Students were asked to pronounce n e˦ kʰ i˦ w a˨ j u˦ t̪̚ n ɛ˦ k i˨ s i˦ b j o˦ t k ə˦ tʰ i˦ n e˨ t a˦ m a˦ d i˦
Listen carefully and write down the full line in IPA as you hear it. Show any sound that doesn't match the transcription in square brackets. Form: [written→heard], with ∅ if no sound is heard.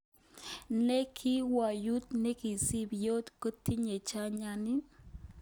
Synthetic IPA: n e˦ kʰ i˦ w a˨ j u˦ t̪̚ n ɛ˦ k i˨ s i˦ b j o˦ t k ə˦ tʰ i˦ [n→ɲ] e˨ [t→t͡ʃ] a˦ [m→ɲ] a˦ [d→n] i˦